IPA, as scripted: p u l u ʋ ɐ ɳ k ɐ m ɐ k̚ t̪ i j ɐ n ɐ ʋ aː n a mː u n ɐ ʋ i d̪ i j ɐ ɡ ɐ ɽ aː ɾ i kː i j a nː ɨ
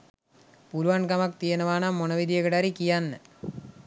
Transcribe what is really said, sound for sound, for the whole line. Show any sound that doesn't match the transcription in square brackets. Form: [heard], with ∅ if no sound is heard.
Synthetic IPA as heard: p u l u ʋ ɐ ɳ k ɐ m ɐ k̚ t̪ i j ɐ n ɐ ʋ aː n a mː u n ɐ ʋ i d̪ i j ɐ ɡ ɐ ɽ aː ɾ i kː i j a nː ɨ